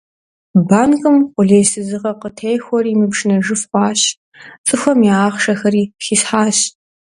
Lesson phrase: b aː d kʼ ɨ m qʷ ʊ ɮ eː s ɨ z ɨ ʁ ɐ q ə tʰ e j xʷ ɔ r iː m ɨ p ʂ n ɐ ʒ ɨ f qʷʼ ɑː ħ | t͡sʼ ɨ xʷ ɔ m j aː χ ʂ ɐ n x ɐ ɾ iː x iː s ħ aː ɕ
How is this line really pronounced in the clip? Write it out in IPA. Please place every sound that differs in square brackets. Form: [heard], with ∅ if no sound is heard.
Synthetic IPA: b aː [n] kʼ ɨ m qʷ ʊ ɮ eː s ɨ z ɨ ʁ ɐ q ə tʰ e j xʷ ɔ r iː m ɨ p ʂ n ɐ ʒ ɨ f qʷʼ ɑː [ɕ] | t͡sʼ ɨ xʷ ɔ m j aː χ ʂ ɐ [∅] x ɐ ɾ iː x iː s ħ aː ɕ